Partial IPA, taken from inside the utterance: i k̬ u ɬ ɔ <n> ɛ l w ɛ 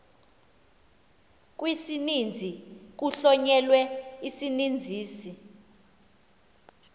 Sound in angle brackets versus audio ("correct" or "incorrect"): incorrect